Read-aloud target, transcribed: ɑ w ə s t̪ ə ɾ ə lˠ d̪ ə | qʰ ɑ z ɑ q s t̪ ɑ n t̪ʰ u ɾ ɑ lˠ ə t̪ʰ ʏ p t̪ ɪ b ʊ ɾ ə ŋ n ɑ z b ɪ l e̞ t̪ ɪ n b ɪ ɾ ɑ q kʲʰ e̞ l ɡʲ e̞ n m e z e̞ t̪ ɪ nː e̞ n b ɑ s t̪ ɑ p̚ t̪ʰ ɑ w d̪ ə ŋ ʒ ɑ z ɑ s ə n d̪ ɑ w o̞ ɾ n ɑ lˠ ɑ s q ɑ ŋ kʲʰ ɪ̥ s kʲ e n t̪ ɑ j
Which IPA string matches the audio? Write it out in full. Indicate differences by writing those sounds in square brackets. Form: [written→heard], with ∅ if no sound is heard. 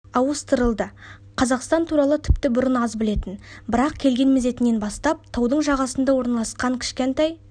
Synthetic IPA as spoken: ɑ w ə s t̪ ə ɾ ə lˠ d̪ ə | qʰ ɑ z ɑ q s t̪ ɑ n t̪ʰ u ɾ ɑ lˠ ə t̪ʰ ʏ p t̪ ɪ b ʊ ɾ ə [ŋ→∅] n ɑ z b ɪ l e̞ t̪ ɪ n b ɪ ɾ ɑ q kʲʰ e̞ l ɡʲ e̞ n m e z e̞ t̪ ɪ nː e̞ n b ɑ s t̪ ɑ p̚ t̪ʰ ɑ w d̪ ə [ŋ→ɴ] ʒ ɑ [z→ʁ] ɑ s ə n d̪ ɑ w o̞ ɾ n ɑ lˠ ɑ s q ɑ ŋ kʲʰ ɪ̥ [s→ʃ] kʲ e n t̪ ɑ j